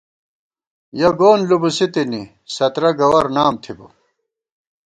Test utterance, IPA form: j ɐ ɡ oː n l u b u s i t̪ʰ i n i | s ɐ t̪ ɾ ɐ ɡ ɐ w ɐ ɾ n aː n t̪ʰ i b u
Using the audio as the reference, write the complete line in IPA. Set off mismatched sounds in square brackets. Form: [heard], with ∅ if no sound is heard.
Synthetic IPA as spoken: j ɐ ɡ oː n l u b u s i [t̪] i n i | s ɐ t̪ ɾ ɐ ɡ ɐ w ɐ ɾ n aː [m] t̪ʰ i b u